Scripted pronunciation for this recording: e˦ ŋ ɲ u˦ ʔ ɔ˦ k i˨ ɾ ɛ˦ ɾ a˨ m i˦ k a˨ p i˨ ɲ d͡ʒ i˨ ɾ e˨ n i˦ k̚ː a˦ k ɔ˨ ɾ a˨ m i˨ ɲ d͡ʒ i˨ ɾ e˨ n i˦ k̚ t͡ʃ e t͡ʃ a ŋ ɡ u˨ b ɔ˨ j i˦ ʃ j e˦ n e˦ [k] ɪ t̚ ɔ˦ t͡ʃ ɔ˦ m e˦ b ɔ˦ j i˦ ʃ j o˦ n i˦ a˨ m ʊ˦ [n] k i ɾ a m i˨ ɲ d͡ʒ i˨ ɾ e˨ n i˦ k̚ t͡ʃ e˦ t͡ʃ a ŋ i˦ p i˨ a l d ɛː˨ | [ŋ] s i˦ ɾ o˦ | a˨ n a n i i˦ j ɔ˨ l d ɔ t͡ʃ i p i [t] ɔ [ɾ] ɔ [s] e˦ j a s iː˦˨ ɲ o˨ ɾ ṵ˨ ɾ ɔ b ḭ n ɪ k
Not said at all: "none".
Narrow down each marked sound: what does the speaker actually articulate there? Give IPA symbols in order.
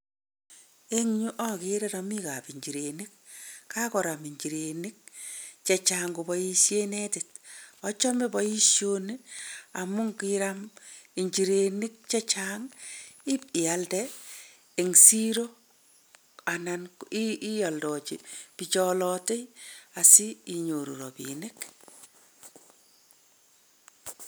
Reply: t, ŋ, ŋ, t͡ʃ, l, t

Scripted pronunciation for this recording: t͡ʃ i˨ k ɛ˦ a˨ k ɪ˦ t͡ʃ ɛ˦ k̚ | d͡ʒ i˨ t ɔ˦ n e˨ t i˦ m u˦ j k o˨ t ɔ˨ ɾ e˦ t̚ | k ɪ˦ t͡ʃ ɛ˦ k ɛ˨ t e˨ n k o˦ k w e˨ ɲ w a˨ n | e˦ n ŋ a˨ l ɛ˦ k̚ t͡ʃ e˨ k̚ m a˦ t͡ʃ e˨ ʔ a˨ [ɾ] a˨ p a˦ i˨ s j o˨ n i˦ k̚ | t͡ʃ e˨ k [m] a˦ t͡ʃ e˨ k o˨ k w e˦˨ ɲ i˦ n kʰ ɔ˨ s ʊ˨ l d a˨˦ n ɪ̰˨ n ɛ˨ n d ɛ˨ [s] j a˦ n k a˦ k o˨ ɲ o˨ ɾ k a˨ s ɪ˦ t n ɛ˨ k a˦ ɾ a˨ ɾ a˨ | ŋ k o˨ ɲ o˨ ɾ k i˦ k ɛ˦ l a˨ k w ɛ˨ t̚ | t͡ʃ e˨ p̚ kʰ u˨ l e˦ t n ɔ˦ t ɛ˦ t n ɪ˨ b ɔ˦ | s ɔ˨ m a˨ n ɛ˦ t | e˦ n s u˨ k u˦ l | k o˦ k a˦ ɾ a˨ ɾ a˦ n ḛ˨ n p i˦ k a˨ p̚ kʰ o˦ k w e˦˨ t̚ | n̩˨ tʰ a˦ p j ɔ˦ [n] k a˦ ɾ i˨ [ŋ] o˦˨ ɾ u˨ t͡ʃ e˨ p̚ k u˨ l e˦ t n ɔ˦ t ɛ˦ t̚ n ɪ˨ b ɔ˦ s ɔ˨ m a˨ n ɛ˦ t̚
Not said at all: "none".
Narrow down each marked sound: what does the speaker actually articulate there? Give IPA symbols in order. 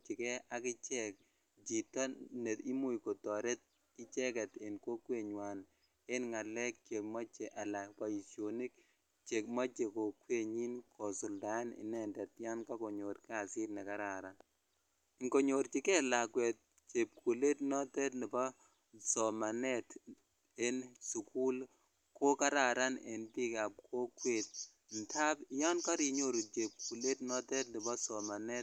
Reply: l, m, t, n, ɲ

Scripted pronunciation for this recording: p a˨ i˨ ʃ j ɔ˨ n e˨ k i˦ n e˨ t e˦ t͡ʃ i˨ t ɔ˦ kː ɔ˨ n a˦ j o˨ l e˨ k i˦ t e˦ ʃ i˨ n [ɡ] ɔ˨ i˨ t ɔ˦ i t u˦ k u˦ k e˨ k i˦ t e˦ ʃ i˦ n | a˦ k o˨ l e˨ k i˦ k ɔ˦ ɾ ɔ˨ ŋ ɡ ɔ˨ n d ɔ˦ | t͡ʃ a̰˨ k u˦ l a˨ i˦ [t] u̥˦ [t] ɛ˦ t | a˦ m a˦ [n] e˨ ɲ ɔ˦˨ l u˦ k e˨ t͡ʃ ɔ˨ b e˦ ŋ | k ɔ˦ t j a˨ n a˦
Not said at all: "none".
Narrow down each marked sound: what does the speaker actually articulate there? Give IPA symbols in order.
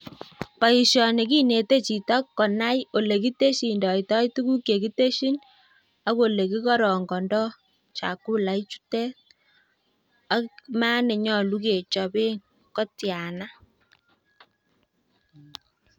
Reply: d, t͡ʃ, t, n

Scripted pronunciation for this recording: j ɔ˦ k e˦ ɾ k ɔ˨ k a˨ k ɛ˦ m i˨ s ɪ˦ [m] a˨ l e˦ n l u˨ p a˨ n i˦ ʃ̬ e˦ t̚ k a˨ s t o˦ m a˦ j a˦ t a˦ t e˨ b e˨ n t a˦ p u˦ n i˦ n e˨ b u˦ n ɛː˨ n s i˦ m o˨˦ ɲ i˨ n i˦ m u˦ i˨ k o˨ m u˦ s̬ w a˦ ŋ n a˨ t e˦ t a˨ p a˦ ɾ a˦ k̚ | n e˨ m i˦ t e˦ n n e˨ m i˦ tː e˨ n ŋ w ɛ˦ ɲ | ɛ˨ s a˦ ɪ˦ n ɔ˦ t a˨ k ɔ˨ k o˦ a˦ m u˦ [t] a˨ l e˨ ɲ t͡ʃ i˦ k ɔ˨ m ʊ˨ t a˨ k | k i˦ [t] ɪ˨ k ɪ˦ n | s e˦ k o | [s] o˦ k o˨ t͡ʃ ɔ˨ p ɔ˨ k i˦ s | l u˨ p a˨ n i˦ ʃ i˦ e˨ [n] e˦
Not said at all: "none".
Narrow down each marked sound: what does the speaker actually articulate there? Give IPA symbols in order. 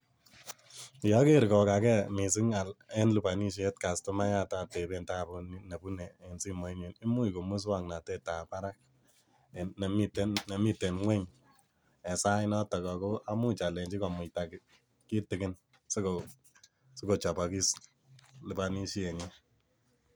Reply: ŋ, t͡ʃ, t, s, ɲ

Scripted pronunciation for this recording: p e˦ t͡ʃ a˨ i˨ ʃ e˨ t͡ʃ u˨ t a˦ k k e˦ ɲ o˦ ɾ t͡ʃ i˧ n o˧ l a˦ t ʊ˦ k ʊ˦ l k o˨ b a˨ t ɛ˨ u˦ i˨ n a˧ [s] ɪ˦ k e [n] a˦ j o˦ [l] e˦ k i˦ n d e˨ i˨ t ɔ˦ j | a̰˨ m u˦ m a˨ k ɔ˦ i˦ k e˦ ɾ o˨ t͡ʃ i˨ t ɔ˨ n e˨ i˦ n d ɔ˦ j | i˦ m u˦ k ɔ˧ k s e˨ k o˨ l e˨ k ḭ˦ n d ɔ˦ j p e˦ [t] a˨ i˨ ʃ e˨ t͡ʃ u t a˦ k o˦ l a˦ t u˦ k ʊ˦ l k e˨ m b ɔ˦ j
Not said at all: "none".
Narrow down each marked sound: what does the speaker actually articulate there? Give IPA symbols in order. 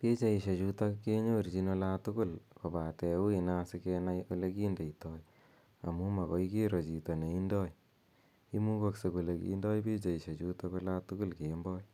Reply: s, n, l, t͡ʃ

